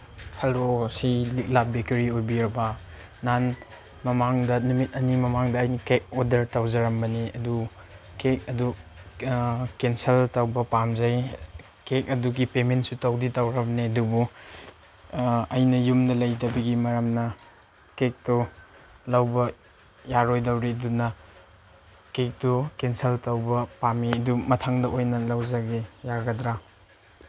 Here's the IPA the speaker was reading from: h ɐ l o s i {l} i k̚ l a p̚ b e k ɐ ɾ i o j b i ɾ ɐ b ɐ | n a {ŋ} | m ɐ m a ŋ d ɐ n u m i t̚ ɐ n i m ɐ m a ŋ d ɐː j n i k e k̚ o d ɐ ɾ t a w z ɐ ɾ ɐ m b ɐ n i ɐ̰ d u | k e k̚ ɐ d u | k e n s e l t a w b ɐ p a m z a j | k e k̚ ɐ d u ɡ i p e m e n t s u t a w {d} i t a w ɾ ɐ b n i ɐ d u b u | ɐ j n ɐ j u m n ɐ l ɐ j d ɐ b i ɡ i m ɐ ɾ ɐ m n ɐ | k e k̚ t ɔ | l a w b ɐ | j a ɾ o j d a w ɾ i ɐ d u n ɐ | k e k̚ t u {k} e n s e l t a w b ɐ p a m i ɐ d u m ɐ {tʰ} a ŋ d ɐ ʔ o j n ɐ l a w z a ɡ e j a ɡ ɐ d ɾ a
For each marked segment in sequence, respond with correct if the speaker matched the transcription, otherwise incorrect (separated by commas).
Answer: correct, incorrect, correct, correct, correct